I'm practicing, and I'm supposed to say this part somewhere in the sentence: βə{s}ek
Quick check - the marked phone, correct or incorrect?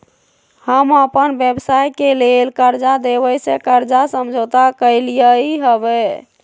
correct